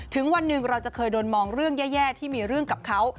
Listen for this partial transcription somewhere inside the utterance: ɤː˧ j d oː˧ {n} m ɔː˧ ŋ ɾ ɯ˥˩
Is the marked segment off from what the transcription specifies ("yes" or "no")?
no